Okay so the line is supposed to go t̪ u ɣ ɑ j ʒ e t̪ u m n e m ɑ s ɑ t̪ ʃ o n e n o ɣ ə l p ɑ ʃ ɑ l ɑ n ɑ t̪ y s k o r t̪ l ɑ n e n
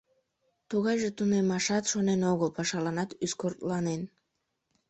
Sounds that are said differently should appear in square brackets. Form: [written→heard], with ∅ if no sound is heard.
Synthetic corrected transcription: t̪ u ɣ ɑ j ʒ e t̪ u [m→∅] n e m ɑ [s→ʃ] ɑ t̪ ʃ o n e n o ɣ ə l p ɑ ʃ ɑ l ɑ n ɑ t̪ y s k o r t̪ l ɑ n e n

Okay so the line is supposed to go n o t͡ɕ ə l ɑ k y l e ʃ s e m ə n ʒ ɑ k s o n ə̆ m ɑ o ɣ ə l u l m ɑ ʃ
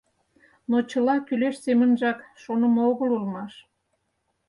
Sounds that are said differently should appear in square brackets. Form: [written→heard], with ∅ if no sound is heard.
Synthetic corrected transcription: n o t͡ɕ ə l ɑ k y l e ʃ s e m ə n ʒ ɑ k [s→ʃ] o n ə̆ m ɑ o ɣ ə l u l m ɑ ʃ

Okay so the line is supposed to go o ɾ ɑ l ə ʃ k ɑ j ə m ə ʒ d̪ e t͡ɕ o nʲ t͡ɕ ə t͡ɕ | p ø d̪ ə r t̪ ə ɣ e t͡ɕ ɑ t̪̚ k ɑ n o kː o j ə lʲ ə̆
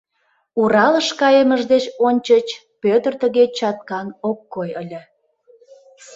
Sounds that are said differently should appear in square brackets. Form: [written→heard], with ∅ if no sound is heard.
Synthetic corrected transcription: [o→u] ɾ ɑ l ə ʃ k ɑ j ə m ə ʒ d̪ e t͡ɕ o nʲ t͡ɕ ə t͡ɕ | p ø [d̪→t̪] ə r t̪ ə ɣ e t͡ɕ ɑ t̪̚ k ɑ n o kː o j ə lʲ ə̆

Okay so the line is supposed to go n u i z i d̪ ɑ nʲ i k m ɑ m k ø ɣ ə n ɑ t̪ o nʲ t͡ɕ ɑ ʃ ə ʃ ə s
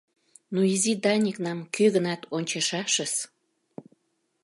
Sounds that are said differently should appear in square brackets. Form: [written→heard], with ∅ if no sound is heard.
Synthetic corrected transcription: n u i z i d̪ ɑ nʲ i k [m→n] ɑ m k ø ɣ ə n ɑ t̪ o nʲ t͡ɕ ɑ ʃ [ə→ɑ] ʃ ə s

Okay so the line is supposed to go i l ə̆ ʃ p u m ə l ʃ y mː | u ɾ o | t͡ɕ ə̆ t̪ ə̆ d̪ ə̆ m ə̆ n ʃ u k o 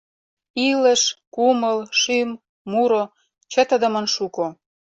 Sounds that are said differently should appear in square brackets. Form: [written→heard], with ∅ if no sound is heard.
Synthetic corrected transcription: i l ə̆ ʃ [p→k] u m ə l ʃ y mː | u ɾ o | t͡ɕ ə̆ t̪ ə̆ d̪ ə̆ m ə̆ n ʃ u k o

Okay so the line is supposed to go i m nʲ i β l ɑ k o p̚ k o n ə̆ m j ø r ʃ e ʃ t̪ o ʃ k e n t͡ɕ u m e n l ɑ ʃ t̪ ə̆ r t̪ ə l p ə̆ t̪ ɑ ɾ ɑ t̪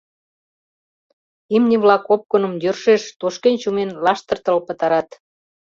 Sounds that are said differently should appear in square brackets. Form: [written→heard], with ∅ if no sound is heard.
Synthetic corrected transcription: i m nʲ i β l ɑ k o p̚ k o n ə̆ m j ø r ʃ e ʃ t̪ o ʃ k e n t͡ɕ u m e n l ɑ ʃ t̪ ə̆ r t̪ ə l p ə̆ t̪ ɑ ɾ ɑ t̪

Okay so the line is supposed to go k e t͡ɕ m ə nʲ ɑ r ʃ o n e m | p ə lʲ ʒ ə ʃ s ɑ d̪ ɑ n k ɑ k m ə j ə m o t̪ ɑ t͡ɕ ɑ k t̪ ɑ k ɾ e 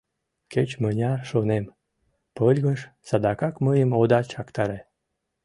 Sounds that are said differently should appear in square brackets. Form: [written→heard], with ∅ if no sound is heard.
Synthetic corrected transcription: k e t͡ɕ m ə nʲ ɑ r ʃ o n e m | p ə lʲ [ʒ→ɣ] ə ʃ s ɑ d̪ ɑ [n→∅] k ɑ k m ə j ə m o [t̪→d̪] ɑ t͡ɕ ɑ k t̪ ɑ [k→∅] ɾ e

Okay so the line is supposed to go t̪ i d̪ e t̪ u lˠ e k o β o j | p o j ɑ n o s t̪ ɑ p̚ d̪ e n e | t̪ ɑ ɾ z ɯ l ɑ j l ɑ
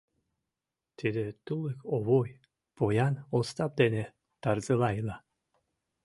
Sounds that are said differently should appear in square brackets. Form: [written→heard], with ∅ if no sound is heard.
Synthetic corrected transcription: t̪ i d̪ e t̪ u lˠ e k o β o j | p o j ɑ n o s t̪ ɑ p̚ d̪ e n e | t̪ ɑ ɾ z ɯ l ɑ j l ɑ

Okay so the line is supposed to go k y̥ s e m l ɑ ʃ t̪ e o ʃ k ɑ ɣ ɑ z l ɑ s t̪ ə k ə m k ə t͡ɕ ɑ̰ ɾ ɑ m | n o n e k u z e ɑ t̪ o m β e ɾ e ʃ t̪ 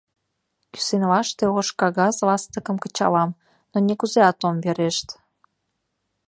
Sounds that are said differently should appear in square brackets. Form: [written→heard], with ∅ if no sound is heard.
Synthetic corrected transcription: k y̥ s e [m→n] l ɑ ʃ t̪ e o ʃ k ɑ ɣ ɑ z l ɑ s t̪ ə k ə m k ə t͡ɕ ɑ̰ [ɾ→l] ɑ m | n o n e k u z e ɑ t̪ o m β e ɾ e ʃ t̪

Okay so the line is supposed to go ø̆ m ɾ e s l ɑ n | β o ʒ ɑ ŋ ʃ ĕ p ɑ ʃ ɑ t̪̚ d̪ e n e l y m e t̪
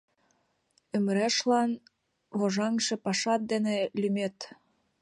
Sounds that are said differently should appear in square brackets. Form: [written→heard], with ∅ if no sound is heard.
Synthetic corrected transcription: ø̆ m ɾ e [s→ʃ] l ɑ n | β o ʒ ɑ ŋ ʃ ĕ p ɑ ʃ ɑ t̪̚ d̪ e n e l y m e t̪

